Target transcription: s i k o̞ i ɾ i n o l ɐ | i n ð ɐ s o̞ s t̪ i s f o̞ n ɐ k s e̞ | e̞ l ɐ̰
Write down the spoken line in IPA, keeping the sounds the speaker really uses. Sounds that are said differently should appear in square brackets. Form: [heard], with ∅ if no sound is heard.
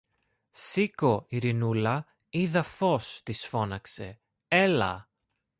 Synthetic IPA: s i k o̞ i ɾ i n [u] l ɐ | i [∅] ð ɐ [f] o̞ s t̪ i s f o̞ n ɐ k s e̞ | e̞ l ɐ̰